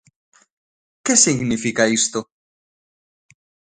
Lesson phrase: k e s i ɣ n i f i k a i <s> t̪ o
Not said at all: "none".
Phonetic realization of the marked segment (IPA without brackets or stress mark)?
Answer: s